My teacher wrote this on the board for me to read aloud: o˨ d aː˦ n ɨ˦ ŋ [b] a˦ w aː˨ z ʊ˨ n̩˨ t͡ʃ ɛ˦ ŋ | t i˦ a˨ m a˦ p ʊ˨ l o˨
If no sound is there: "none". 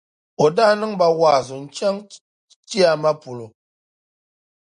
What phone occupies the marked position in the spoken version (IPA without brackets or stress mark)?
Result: b